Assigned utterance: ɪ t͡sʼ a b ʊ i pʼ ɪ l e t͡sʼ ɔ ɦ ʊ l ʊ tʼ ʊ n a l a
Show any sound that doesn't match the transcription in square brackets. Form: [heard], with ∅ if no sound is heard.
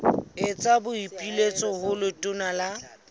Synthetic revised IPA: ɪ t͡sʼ a b ʊ i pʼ [i] l e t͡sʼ ɔ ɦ ʊ l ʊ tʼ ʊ n a l a